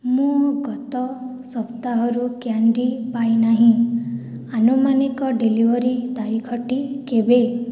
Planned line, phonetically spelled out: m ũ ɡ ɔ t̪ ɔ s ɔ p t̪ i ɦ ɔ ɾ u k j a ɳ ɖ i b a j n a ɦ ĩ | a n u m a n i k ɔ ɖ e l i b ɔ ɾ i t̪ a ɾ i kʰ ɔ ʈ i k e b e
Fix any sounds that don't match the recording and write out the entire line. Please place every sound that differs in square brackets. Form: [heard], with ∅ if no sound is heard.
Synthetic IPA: m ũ ɡ ɔ t̪ ɔ s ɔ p t̪ [a] ɦ ɔ ɾ u k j a ɳ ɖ i [p] a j n a ɦ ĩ | a n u m a n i k ɔ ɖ e l i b ɔ ɾ i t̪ a ɾ i kʰ ɔ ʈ i k e b e